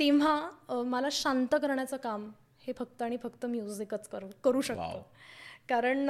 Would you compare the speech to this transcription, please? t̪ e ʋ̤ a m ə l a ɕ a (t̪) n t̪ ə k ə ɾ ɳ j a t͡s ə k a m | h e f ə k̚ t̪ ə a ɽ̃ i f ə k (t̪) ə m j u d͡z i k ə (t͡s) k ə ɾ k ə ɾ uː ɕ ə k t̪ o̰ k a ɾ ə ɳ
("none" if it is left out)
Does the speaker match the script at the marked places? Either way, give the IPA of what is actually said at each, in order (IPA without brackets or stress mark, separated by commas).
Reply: none, t̪, t͡s